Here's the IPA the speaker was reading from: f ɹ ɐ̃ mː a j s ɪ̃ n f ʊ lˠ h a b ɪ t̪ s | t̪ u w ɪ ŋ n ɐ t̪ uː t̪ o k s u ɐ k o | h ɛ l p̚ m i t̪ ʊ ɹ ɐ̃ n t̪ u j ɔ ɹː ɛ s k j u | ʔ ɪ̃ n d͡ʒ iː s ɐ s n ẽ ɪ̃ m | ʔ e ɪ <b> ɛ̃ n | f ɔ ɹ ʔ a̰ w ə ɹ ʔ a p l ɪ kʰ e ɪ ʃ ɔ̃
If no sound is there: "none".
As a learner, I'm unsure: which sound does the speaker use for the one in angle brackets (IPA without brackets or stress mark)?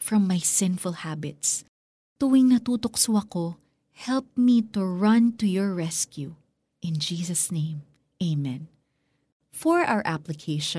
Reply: m